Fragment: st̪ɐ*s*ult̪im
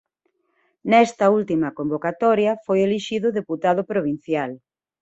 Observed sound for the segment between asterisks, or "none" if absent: none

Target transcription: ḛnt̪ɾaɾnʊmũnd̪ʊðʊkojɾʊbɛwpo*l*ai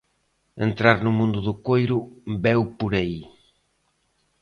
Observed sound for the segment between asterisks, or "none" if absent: ɾ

